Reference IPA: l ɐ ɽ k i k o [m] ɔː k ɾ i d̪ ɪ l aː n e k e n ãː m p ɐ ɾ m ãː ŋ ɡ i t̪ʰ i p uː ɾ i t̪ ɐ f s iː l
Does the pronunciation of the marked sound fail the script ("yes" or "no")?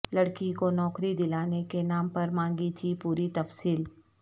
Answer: yes